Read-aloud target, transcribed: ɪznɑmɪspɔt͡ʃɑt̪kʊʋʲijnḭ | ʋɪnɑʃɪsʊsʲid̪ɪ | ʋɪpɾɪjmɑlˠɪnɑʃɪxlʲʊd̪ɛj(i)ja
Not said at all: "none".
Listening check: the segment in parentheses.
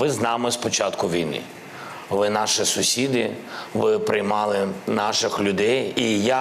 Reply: i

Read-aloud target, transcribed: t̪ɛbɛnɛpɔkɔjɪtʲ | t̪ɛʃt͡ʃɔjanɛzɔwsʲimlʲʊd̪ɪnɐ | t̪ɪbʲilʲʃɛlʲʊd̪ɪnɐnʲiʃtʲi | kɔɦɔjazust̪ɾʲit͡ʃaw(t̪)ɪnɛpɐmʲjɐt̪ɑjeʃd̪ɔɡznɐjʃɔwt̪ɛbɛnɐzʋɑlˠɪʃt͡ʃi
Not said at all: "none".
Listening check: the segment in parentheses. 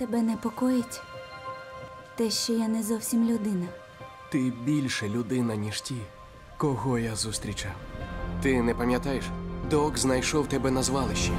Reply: t̪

